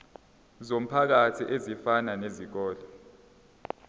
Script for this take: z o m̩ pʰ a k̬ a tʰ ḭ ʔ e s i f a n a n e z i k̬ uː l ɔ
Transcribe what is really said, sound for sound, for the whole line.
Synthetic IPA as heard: z o m̩ pʰ a k̬ a tʰ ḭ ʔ e z i f a n a n e z i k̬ ɔː l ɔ